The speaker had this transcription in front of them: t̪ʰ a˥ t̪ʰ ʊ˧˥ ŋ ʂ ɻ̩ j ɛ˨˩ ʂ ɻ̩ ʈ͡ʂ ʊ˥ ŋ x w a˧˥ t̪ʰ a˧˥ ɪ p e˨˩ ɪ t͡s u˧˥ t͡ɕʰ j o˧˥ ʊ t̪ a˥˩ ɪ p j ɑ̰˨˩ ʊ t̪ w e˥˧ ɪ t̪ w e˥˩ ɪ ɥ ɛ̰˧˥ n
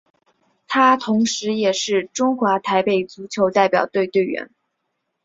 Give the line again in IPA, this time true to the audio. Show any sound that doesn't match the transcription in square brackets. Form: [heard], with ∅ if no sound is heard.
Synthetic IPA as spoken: t̪ʰ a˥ t̪ʰ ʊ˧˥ ŋ ʂ ɻ̩ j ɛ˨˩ ʂ ɻ̩ ʈ͡ʂ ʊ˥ ŋ x w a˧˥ t̪ʰ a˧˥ ɪ p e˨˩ ɪ t͡s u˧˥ t͡ɕʰ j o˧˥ ʊ t̪ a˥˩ ɪ p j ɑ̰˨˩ ʊ t̪ w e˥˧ ɪ t̪ w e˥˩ ɪ ɥ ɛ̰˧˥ n